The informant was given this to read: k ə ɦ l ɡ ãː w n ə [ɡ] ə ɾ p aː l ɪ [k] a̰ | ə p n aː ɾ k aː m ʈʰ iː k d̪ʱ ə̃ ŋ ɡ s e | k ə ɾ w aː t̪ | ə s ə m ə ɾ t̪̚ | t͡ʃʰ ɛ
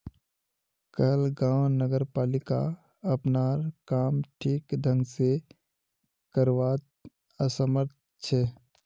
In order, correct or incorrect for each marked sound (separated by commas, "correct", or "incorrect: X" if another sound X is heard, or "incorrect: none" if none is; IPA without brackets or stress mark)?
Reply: correct, correct